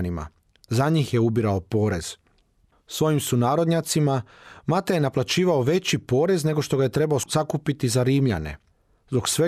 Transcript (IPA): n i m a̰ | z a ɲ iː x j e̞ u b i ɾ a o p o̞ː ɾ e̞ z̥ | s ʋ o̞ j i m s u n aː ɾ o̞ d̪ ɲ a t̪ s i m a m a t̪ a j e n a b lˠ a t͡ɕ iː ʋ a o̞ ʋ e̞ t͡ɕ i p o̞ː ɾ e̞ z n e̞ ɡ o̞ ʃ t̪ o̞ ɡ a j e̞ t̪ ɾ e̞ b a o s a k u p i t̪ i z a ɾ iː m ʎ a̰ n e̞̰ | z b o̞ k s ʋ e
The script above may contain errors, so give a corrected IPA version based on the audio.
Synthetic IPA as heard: n i m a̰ | z a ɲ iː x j e̞ u b i ɾ a o p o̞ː ɾ e̞ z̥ | s ʋ o̞ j i m s u n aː ɾ o̞ d̪ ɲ a t̪ s i m a m a t̪ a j e n a p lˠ a t͡ɕ iː ʋ a o̞ ʋ e̞ t͡ɕ i p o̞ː ɾ e̞ z n e̞ ɡ o̞ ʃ t̪ o̞ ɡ a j e̞ t̪ ɾ e̞ b a o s a k u p i t̪ i z a ɾ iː m ʎ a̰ n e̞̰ | z b o̞ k s ʋ e